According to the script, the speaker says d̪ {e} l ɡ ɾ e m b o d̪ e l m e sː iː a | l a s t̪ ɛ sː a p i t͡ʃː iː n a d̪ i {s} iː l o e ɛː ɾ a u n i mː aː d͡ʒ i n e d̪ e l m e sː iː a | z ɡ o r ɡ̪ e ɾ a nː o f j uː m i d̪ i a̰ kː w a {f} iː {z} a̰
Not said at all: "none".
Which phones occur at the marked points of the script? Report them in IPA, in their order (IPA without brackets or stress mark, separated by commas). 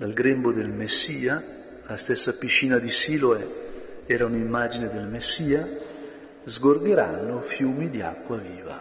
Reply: a, s, v, v